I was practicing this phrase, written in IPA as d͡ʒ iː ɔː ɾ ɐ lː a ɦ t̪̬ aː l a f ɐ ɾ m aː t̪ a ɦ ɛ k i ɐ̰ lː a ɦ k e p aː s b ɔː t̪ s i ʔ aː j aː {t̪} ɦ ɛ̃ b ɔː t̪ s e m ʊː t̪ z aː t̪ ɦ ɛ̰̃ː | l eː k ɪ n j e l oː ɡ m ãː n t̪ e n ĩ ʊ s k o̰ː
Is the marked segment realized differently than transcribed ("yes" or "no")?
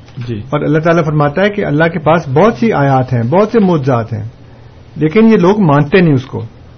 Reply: no